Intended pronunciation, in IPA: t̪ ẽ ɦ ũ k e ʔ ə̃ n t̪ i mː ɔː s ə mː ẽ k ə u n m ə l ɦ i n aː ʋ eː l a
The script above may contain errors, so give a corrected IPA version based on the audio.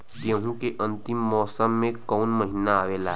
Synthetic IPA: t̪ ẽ ɦ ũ k e ʔ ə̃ n t̪ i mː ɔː s ə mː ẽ k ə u n m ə ɦ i n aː ʋ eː l a